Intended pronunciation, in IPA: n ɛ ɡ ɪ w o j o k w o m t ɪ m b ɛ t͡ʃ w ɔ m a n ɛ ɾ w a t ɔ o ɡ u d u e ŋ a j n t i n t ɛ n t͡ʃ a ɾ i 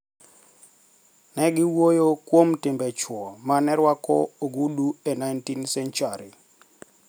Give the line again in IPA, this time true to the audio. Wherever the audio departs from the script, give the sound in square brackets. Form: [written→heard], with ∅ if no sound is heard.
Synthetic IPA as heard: n ɛ ɡ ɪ w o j o k w o m t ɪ m b ɛ t͡ʃ w ɔ m a n ɛ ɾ w a [t→k] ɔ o ɡ u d u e [ŋ→n] a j n t i n [t→s] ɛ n t͡ʃ a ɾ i